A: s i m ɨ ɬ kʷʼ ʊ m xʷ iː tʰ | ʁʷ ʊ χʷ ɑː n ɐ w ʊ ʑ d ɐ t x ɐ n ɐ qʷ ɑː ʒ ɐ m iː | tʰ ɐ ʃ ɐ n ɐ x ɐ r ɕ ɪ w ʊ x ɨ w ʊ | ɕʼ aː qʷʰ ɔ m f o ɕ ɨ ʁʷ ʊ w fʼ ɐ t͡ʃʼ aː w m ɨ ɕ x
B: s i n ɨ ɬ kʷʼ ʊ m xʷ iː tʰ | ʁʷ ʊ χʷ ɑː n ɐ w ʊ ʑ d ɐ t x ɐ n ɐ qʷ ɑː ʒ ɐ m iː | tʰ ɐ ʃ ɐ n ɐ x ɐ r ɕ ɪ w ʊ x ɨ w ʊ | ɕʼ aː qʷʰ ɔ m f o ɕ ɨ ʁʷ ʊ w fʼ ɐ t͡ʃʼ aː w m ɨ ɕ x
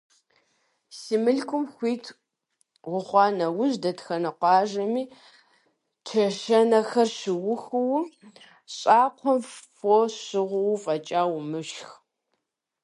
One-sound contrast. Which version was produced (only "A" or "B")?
A